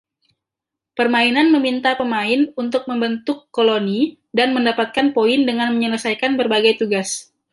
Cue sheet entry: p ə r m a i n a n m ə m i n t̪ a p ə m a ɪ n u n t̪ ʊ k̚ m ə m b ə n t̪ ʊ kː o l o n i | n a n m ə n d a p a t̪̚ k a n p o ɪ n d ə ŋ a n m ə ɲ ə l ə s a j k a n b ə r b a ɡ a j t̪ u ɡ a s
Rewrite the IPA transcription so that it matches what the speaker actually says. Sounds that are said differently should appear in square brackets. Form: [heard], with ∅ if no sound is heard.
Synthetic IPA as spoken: p ə r m a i n a n m ə m i n t̪ a p ə m a ɪ n u n t̪ ʊ k̚ m ə m b ə n t̪ ʊ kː o l o n i | [d] a n m ə n d a p a t̪̚ k a n p o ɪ n d ə ŋ a n m ə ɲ ə l ə s a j k a n b ə r b a ɡ a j t̪ u ɡ a s